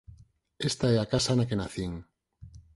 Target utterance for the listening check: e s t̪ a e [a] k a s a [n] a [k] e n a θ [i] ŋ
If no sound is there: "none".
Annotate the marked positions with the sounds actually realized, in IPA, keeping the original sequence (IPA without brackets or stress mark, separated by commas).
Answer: a, n, k, i